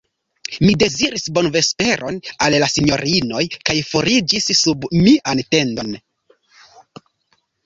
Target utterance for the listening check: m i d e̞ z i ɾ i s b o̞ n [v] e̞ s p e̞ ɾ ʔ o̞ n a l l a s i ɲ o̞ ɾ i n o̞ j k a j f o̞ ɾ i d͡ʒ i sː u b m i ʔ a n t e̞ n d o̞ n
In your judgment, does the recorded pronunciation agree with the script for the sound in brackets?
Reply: yes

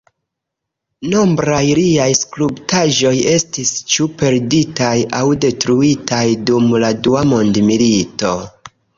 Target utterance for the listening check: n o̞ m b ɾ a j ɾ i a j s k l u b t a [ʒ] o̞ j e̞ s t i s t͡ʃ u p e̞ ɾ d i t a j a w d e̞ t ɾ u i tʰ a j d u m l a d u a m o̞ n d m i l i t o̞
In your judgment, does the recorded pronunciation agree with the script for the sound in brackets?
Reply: yes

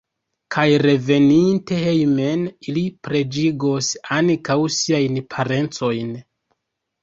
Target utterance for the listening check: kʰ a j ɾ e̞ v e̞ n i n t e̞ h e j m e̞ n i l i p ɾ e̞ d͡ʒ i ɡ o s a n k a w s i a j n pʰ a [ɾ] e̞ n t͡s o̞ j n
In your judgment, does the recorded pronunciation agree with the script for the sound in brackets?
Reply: yes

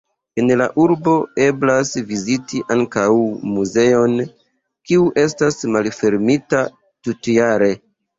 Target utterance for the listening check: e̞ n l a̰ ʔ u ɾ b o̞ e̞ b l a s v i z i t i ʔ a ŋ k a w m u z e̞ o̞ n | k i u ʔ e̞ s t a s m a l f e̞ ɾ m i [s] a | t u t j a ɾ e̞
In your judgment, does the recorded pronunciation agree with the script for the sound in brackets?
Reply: no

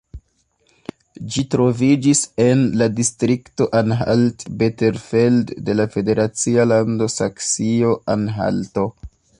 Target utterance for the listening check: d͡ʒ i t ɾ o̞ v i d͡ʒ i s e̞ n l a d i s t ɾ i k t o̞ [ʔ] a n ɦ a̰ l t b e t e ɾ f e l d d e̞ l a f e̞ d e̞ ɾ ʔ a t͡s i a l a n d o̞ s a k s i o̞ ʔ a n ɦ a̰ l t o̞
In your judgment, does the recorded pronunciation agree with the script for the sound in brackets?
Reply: yes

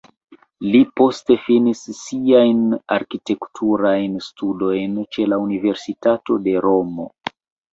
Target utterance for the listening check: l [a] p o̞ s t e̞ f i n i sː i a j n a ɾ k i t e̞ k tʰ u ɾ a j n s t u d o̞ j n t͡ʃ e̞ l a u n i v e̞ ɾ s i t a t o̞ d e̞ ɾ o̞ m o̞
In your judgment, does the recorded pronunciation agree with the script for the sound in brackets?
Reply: no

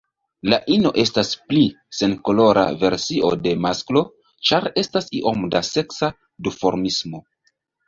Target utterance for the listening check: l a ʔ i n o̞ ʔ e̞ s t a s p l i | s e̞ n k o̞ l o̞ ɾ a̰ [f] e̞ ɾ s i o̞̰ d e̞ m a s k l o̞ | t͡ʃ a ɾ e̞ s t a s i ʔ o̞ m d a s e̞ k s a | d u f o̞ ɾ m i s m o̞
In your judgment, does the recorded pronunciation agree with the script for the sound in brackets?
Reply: no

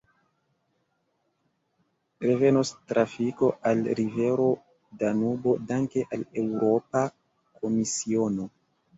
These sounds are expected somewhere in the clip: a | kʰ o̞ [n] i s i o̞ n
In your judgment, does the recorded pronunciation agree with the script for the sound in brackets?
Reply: no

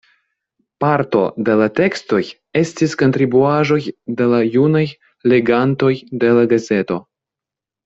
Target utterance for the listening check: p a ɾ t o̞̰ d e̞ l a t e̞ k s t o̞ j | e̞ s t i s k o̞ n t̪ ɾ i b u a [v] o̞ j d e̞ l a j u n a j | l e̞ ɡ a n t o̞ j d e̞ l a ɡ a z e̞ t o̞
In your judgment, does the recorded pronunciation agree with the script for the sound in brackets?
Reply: no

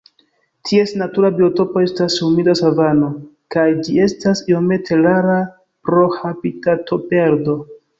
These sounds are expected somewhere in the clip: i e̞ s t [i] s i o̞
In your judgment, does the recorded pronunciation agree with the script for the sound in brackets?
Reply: no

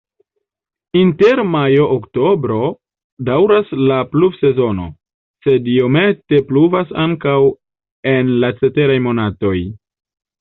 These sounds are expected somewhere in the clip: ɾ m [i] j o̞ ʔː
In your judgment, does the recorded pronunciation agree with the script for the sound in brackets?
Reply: no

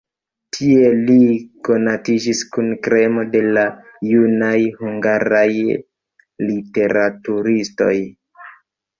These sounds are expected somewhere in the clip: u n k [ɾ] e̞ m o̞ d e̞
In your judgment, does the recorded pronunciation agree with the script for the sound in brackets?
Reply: yes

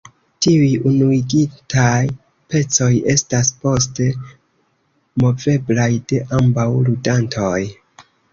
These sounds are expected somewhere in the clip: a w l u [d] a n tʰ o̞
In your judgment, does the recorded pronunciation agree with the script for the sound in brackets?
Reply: yes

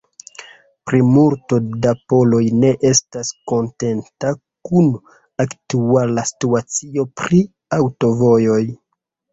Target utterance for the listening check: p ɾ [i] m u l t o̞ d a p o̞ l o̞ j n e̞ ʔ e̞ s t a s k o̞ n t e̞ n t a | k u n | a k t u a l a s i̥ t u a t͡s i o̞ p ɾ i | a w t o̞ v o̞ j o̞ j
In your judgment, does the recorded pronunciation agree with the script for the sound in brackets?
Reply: yes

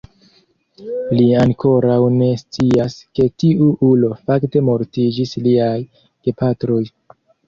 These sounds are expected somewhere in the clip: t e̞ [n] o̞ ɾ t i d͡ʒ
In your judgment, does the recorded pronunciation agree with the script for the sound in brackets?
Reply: no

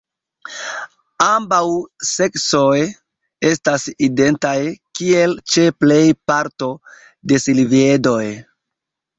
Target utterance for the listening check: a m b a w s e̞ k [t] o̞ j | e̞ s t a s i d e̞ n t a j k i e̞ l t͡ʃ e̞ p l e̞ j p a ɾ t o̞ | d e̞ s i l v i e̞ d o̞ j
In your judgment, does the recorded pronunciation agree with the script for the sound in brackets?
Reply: no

